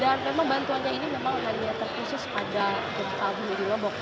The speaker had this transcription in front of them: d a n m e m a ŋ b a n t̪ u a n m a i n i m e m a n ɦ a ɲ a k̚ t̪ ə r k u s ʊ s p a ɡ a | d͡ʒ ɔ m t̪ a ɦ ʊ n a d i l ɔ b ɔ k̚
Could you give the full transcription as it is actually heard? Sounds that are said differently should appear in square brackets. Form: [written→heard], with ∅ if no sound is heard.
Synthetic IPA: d a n m e m a ŋ b a n t̪ u a n [m→ɲ] a i n i m e m a [n→ŋ] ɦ a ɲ a [k̚→∅] t̪ ə r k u s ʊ s p a [ɡ→d] a | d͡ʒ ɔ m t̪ a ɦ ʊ n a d i l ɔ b ɔ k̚